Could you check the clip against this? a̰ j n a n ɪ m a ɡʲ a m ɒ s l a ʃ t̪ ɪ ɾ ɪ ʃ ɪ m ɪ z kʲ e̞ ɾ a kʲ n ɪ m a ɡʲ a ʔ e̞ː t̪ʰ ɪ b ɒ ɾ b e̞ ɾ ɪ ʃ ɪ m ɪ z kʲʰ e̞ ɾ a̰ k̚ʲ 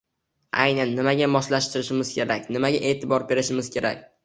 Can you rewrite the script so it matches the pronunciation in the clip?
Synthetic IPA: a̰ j n a nː ɪ m a ɡʲ a m ɒ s l a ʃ t̪ ɪ ɾ ɪ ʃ ɪ m ɪ z kʲ e̞ ɾ a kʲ n ɪ m a ɡʲ a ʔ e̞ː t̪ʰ ɪ b ɒ ɾ b e̞ ɾ ɪ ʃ ɪ m ɪ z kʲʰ e̞ ɾ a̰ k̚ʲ

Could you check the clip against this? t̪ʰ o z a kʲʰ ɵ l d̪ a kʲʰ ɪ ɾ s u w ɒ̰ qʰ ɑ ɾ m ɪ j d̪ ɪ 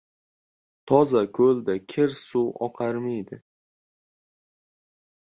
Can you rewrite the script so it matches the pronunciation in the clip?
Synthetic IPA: t̪ʰ ɒ z a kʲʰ ɵ l d̪ a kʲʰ ɪ ɾ s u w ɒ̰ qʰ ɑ ɾ m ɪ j d̪ ɪ

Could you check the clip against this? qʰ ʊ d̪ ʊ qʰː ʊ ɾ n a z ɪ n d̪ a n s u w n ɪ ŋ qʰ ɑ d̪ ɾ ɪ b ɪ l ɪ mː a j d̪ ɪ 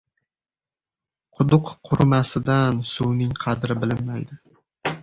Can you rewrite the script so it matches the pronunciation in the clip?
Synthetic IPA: qʰ ʊ d̪ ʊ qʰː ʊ ɾ m a s ɪ d̪ a n s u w n ɪ ŋ qʰ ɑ d̪ ɾ ɪ b ɪ l ɪ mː a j d̪ ɪ

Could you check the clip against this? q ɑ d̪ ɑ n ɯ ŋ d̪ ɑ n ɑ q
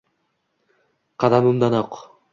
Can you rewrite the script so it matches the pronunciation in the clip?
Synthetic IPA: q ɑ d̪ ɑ m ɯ m d̪ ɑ n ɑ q

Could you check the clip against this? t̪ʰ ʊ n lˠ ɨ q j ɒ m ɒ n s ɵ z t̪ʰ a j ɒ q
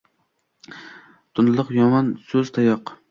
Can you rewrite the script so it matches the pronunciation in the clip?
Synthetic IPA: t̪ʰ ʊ n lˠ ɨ q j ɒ m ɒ n s ɵ z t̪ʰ a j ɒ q

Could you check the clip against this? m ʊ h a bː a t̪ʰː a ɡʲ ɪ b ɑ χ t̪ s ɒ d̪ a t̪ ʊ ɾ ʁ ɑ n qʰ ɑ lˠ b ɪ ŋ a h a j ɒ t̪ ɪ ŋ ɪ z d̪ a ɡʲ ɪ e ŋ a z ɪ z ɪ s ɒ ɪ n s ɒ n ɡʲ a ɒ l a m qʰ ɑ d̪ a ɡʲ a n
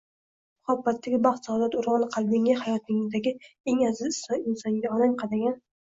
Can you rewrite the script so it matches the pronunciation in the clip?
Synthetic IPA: m ʊ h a bː a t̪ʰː a ɡʲ ɪ b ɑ χ t̪ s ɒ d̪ a t̪ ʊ ɾ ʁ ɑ n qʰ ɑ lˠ b ɪ ŋ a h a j ɒ t̪ ɪ ŋ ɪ z d̪ a ɡʲ ɪ e ŋ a z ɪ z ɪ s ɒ ɪ n s ɒ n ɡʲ a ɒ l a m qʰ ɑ d̪ a ɡʲ a n

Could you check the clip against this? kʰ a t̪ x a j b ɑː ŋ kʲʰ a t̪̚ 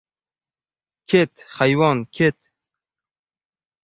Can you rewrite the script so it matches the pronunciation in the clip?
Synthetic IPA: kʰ e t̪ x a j w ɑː n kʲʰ e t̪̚

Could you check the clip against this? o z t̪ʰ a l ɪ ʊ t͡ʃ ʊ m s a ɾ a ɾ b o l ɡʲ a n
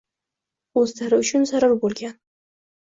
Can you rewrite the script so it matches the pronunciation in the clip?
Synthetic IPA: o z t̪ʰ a ɾ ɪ ʊ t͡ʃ ʊ n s a ɾ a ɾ b o l ɡʲ a n

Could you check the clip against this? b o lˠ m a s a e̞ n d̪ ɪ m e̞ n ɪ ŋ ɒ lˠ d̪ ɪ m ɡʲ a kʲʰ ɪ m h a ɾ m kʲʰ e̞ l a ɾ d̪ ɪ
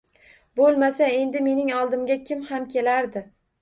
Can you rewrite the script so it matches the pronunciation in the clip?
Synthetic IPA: b o lˠ m a s a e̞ n d̪ ɪ m e̞ n ɪ ŋ ɒ lˠ d̪ ɪ m ɡʲ a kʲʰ ɪ m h a m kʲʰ e̞ l a ɾ d̪ ɪ

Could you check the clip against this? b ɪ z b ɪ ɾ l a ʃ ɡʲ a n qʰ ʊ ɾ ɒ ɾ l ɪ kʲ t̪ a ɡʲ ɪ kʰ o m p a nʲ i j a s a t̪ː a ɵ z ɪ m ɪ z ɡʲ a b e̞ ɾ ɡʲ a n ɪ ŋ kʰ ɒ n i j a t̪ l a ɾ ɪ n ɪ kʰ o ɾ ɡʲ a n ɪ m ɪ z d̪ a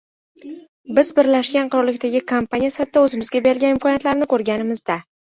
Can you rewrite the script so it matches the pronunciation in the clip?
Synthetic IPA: b ɪ z b ɪ ɾ l a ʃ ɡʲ a n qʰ ʊ ɾ ɒ ɾ l ɪ kʲ t̪ a ɡʲ ɪ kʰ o m p a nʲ i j a s a t̪ː a ɵ z ɪ m ɪ z ɡʲ a b e̞ ɾ ɡʲ a n ɪ m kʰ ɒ n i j a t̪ l a ɾ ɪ n ɪ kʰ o ɾ ɡʲ a n ɪ m ɪ z d̪ a

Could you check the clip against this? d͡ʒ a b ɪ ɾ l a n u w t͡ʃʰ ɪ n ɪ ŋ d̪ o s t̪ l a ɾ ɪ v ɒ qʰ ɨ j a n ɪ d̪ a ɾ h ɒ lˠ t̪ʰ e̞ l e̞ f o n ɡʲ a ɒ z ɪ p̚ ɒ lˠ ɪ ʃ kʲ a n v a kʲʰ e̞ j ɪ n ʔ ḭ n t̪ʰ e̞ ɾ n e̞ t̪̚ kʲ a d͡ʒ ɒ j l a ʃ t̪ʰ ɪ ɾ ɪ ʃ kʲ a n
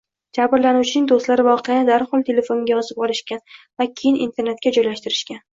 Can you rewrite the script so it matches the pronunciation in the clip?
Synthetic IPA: d͡ʒ a b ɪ ɾ l a n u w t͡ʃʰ ɪ n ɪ ŋ d̪ o s t̪ l a ɾ ɪ v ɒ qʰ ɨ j a n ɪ d̪ a ɾ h ɒ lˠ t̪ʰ e̞ l e̞ f o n ɡʲ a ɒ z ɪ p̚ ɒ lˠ ɪ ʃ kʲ a n v a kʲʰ e̞ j ɪ n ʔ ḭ n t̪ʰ e̞ ɾ n e̞ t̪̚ kʲ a d͡ʒ ɒ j l a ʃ t̪ ɪ ɾ ɪ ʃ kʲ a n

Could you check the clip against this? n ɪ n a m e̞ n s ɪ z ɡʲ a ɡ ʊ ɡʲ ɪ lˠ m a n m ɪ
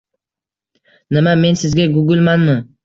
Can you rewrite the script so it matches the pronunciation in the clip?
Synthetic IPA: n ɪ m a m e̞ n s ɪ z ɡʲ a ɡ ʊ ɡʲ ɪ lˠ m a n m ɪ

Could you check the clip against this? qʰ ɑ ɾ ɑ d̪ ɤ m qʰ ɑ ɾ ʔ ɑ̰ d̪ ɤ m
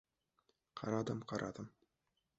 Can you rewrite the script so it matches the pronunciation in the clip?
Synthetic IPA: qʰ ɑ ɾ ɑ d̪ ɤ m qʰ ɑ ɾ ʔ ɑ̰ d̪ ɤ m

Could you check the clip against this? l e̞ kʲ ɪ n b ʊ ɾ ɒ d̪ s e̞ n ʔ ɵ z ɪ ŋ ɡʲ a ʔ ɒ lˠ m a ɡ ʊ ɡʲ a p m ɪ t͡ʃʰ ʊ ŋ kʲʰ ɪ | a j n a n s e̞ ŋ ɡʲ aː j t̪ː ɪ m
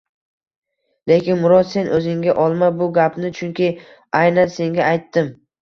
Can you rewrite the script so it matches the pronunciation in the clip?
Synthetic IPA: l e̞ kʲ ɪ n m ʊ ɾ ɒ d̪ s e̞ n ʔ ɵ z ɪ ŋ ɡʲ a ʔ ɒ lˠ m a b ʊ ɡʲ a p n ɪ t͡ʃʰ ʊ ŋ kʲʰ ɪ | a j n a n s e̞ ŋ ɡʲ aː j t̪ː ɪ m

